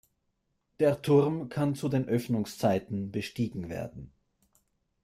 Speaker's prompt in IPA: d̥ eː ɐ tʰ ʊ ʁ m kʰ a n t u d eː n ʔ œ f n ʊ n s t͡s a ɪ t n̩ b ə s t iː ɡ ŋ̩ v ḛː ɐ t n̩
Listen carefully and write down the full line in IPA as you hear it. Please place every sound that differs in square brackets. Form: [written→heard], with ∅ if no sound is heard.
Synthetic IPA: d̥ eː ɐ tʰ ʊ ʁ m kʰ a n [t→t͡s] u d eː n ʔ œ f n ʊ [n→ŋ] s t͡s a ɪ t n̩ b ə [s→ʃ] t iː ɡ ŋ̩ v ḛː ɐ [t→d] n̩

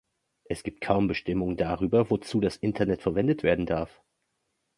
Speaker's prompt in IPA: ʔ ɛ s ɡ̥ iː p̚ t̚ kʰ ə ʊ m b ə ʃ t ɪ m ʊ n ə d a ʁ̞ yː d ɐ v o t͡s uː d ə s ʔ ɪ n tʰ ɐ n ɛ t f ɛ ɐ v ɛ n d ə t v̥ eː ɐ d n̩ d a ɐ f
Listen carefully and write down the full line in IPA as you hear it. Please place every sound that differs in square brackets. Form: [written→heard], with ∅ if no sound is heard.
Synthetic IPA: ʔ ɛ s ɡ̥ iː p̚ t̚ kʰ [ə→a] ʊ m b ə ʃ t ɪ m ʊ [n→ŋ] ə d a ʁ̞ yː [d→b] ɐ v o t͡s uː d [ə→a] s ʔ ɪ n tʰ ɐ n ɛ t f ɛ ɐ v ɛ n d ə t v̥ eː ɐ d n̩ d a ɐ f

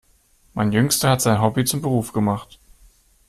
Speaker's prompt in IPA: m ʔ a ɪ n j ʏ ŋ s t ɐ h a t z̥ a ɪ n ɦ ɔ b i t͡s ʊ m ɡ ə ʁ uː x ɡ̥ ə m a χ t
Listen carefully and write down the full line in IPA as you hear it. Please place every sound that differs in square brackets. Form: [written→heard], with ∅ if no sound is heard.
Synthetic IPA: m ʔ a ɪ n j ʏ ŋ s t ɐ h a t z̥ a ɪ n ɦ ɔ b i t͡s ʊ m [ɡ→b] ə ʁ uː [x→f] ɡ̥ ə m a χ t

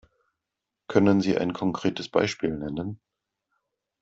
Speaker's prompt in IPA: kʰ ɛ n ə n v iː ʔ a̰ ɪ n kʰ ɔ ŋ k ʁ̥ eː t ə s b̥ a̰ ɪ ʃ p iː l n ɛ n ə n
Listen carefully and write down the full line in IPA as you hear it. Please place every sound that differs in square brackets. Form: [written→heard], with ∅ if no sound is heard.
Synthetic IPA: kʰ [ɛ→œ] n ə n [v→z] iː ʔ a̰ ɪ n kʰ ɔ ŋ k ʁ̥ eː t ə s b̥ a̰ ɪ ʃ p iː l n ɛ n ə n

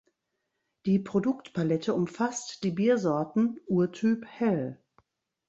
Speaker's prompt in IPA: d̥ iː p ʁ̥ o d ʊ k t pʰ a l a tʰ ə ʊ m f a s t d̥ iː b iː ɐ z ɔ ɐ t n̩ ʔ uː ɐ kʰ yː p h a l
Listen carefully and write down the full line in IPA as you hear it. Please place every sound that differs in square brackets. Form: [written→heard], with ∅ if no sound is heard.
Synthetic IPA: d̥ iː p ʁ̥ o d ʊ k t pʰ a l [a→ɛ] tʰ ə ʊ m f a s t d̥ iː b iː ɐ z ɔ ɐ t n̩ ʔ uː ɐ [kʰ→tʰ] yː p h [a→ɛ] l

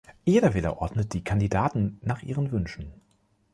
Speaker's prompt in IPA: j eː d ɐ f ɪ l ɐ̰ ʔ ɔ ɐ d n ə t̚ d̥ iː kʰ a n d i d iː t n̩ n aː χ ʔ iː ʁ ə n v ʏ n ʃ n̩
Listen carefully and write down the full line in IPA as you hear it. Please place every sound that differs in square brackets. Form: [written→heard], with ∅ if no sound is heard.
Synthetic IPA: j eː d ɐ [f→v] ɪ l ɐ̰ ʔ ɔ ɐ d n ə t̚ d̥ iː kʰ a n d i d [iː→aː] t n̩ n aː χ ʔ iː ʁ ə n v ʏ n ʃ n̩

